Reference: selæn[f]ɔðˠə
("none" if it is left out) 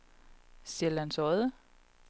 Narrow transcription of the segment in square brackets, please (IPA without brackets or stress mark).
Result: s